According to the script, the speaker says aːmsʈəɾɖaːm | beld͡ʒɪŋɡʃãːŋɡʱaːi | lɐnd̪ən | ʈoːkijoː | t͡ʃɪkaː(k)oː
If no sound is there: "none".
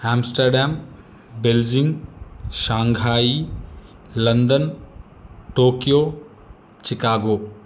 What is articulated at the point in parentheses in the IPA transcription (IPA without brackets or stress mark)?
ɡ